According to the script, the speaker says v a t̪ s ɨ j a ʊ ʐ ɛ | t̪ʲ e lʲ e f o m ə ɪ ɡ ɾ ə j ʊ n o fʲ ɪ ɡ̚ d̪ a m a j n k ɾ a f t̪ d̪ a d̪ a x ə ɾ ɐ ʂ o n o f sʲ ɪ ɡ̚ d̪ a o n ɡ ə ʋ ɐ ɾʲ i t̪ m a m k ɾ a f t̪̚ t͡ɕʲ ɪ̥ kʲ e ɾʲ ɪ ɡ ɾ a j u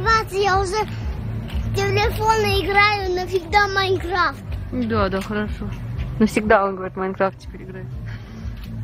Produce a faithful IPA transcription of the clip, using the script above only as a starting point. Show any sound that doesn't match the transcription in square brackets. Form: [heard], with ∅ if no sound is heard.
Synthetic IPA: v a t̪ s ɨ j a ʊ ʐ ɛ | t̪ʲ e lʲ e f o [n] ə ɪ ɡ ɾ [a] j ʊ n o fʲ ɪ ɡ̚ d̪ a m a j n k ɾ a f t̪ d̪ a d̪ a x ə ɾ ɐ ʂ o n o f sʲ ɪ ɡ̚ d̪ a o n ɡ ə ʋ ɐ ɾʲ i t̪ m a [n] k ɾ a f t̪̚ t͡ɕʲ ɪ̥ [pʲ] e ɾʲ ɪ ɡ ɾ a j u